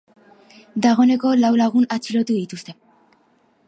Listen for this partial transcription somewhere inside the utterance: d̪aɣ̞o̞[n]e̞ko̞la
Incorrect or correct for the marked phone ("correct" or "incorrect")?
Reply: correct